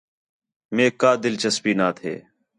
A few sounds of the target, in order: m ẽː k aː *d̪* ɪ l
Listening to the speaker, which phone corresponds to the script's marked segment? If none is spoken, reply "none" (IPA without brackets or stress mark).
d̪